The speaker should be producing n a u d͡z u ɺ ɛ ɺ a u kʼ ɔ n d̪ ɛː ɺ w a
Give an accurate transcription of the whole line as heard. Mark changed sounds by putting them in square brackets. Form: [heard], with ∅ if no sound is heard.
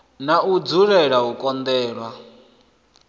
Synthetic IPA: n a u d͡z u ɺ ɛ ɺ a u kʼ ɔ n d̪ ɛː ɺ w a